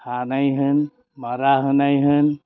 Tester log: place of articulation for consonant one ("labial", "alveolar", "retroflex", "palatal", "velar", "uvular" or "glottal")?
glottal